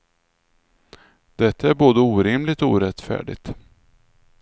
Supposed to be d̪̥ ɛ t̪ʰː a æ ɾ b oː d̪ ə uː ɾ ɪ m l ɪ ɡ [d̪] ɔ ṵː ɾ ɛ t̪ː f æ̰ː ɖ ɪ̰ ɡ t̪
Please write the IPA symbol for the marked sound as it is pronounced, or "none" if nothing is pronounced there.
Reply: t̪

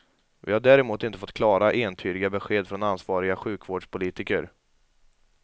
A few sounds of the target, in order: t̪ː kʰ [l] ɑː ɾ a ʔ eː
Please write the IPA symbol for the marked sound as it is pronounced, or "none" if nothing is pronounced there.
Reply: l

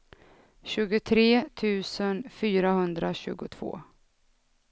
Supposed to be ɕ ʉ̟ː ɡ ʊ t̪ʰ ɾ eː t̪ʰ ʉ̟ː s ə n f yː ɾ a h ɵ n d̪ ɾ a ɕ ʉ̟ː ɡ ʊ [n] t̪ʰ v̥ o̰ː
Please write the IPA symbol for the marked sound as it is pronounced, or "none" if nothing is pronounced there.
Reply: none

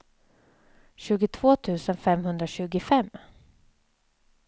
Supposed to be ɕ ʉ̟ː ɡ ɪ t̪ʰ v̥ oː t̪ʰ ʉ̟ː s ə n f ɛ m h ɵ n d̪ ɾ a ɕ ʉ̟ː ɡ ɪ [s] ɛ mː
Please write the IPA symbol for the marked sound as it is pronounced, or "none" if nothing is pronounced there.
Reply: f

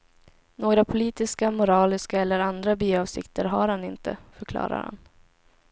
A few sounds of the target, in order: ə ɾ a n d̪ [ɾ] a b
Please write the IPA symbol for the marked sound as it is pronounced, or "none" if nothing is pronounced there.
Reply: ɾ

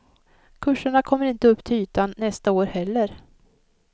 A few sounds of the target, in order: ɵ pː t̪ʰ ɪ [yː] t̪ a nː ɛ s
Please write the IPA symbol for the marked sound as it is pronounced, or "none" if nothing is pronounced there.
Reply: yː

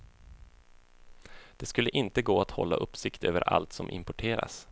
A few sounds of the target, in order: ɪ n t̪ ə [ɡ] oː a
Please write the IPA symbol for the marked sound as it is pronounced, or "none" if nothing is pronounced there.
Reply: ɡ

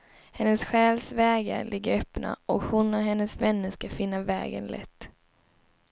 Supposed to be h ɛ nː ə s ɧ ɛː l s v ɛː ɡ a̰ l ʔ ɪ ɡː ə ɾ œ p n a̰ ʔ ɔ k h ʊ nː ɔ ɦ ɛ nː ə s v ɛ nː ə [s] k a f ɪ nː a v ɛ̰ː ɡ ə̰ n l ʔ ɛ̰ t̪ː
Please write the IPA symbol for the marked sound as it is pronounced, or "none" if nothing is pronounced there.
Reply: s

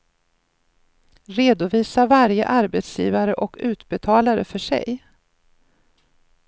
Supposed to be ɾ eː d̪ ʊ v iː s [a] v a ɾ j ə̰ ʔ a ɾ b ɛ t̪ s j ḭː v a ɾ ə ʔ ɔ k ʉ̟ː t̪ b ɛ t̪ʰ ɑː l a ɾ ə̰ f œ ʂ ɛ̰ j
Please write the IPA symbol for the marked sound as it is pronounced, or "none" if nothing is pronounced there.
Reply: a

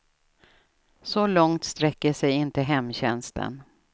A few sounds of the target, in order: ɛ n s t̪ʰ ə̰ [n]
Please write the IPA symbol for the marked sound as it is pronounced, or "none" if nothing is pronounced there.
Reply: n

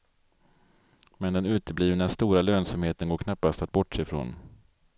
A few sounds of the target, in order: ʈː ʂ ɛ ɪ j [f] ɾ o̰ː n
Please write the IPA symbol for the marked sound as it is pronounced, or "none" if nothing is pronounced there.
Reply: f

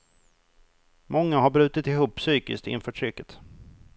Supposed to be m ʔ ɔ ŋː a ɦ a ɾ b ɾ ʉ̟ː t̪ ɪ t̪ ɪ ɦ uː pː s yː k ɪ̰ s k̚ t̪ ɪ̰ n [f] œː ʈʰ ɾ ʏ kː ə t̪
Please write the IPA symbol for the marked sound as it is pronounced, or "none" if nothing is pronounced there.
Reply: f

